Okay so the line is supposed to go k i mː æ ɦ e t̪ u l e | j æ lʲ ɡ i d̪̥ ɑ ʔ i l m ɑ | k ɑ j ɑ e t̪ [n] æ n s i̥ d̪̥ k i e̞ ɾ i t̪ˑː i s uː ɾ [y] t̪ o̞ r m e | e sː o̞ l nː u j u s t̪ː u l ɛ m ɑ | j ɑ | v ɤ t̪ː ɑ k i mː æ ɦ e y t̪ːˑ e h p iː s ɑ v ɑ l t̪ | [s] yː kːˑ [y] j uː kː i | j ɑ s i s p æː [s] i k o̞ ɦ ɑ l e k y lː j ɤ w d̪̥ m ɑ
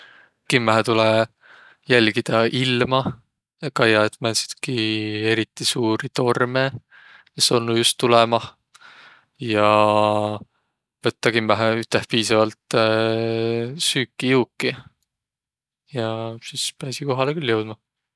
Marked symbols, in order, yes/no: no, no, yes, no, yes

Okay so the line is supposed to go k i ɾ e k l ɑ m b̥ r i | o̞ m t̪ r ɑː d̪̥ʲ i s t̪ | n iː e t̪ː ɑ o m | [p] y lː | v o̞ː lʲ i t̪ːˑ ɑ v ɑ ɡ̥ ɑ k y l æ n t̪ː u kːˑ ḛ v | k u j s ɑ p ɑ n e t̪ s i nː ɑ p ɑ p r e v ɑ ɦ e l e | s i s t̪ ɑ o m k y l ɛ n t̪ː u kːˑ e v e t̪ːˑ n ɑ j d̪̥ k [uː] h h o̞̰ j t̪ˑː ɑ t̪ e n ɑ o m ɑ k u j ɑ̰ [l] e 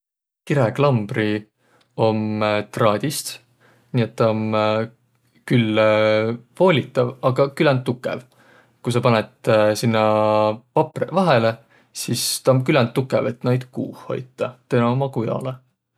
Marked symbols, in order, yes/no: no, yes, yes

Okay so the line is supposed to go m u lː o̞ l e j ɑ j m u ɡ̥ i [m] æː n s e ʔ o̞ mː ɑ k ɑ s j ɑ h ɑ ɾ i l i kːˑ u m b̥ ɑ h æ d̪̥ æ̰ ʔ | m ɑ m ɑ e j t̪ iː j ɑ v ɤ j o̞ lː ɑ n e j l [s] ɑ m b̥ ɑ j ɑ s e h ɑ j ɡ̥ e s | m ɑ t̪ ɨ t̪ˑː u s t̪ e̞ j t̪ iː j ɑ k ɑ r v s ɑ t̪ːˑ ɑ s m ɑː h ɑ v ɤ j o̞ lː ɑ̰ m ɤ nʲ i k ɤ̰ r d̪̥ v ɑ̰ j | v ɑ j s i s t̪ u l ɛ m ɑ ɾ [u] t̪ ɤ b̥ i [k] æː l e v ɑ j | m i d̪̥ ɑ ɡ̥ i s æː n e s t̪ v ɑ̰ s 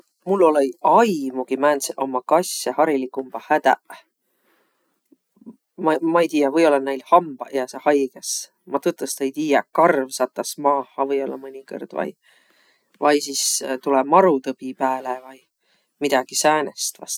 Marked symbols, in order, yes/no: yes, no, yes, no

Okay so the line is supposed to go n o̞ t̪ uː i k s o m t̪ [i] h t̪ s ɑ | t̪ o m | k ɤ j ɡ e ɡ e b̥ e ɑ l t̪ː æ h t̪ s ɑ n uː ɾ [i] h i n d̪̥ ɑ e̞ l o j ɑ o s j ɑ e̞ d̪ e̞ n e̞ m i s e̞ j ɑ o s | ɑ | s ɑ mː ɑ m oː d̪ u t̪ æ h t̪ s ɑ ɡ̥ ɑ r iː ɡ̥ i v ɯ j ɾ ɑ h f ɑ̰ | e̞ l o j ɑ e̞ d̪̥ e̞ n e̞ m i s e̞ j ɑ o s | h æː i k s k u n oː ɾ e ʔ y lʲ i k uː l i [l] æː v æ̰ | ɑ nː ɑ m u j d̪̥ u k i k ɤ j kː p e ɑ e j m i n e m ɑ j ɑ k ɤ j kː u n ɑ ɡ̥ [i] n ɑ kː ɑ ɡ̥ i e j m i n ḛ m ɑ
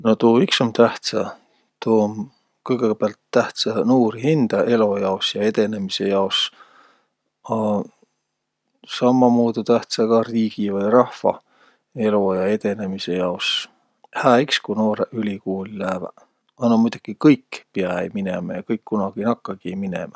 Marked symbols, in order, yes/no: no, yes, yes, yes

